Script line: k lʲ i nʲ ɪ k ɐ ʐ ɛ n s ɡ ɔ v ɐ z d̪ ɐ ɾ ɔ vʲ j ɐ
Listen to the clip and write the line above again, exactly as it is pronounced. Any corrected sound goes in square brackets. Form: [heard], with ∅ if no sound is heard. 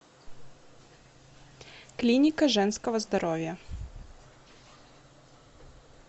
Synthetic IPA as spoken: k lʲ i nʲ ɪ k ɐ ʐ ɛ n s [k] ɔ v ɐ z d̪ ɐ ɾ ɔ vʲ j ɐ